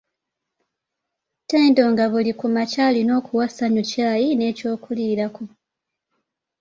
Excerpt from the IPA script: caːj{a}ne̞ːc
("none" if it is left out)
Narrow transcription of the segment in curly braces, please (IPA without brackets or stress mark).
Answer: i